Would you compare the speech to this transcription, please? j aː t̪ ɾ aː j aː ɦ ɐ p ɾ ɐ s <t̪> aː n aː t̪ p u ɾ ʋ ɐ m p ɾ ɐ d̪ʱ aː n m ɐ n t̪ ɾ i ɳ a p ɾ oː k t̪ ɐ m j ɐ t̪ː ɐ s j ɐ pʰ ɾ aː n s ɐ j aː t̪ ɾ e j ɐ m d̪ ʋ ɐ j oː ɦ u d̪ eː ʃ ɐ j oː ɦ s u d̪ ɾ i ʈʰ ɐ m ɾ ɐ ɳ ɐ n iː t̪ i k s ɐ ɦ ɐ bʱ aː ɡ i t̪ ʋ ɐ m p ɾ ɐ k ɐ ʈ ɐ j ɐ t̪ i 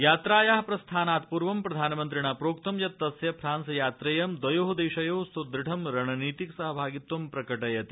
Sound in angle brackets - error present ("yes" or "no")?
yes